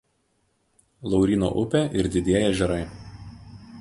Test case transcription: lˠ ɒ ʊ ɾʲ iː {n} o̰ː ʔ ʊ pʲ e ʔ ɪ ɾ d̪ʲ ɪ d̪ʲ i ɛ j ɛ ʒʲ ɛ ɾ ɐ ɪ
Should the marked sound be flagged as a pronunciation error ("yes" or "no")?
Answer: no